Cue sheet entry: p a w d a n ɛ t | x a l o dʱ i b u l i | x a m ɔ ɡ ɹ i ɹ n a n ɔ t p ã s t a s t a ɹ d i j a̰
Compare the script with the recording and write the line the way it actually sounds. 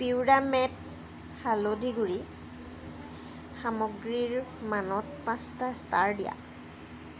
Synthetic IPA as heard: p i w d a m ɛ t | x a l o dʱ i ɡ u ɹ i | x a m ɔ ɡ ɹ i ɹ m a n ɔ t p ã s t a s t a ɹ d i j a̰